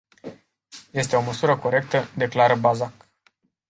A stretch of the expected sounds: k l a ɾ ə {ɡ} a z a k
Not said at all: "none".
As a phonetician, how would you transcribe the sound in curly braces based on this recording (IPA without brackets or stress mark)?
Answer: b